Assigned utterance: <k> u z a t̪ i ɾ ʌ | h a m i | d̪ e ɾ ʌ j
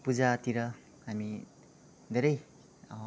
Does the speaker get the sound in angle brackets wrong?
yes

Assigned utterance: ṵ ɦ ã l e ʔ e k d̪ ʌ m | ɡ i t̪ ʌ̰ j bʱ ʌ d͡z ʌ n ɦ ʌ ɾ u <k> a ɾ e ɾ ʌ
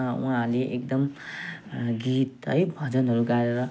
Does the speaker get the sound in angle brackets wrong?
yes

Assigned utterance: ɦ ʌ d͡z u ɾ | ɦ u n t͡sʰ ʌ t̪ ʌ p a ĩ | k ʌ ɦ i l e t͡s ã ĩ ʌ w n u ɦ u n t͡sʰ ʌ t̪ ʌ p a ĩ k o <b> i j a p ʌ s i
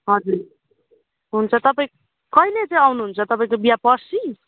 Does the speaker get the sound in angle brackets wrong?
no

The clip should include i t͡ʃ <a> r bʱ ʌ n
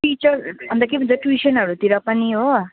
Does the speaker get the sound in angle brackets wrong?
yes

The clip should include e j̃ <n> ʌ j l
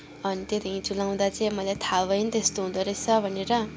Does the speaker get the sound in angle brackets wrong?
yes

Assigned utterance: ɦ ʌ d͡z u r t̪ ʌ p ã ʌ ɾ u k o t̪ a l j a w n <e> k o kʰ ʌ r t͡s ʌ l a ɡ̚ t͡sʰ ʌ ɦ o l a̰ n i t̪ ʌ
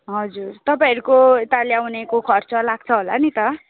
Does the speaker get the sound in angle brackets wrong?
no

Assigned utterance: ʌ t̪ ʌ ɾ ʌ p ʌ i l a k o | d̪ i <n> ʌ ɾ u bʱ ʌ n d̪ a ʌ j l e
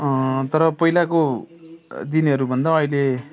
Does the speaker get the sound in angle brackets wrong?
no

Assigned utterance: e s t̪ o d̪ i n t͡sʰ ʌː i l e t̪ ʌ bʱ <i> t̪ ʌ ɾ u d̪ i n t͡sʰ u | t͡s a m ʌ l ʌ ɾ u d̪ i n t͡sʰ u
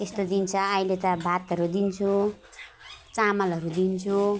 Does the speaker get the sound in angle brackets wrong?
yes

